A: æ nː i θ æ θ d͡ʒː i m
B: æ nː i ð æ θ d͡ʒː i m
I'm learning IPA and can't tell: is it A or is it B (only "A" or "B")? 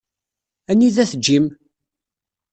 B